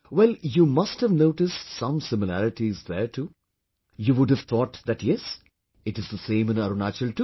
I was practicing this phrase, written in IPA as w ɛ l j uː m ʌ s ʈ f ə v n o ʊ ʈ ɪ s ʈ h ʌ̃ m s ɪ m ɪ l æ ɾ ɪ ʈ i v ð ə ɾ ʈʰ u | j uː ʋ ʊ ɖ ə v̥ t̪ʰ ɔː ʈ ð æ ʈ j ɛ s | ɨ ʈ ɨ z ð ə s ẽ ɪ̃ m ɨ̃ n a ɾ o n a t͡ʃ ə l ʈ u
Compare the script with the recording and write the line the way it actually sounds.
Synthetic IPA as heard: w ɛ l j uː m ʌ s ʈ h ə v n o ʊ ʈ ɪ s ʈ s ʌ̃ m s ɪ m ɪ l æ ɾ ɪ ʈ i z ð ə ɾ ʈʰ u | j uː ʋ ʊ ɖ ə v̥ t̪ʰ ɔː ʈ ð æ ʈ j ɛ s | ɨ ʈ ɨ z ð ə s ẽ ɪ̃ m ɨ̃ n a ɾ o n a t͡ʃ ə l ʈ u